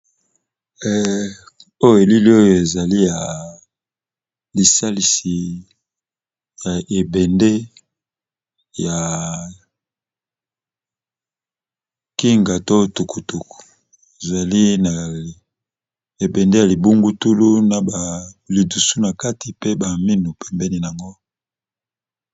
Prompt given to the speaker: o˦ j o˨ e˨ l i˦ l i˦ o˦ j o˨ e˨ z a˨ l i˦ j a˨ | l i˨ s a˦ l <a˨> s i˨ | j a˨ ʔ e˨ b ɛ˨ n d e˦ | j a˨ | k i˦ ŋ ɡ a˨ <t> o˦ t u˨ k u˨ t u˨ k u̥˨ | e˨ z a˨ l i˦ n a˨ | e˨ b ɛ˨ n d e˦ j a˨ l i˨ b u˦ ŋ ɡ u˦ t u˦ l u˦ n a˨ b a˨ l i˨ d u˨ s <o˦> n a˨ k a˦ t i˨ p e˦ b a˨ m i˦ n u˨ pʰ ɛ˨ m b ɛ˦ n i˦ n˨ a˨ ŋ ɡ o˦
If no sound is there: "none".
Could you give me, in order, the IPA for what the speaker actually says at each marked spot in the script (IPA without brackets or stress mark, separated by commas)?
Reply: i˨, t, u˦